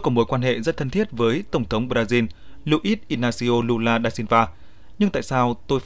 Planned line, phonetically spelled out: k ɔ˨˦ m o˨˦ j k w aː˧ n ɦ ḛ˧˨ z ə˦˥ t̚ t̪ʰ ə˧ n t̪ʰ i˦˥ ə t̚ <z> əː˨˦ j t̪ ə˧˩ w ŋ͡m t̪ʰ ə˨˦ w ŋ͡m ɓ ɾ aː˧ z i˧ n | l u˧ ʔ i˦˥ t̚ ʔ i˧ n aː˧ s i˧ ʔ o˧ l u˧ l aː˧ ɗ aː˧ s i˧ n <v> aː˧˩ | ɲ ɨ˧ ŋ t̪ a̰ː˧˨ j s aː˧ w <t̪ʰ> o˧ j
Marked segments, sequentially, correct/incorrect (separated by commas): incorrect, correct, incorrect